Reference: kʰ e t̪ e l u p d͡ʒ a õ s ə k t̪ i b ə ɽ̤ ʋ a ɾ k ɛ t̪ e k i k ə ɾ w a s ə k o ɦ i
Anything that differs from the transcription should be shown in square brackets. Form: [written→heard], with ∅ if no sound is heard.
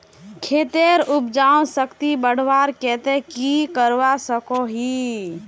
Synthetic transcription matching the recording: kʰ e t̪ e [l→ɾ] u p d͡ʒ a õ s ə k t̪ i b ə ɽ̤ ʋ a ɾ k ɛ t̪ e k i k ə ɾ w a s ə k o ɦ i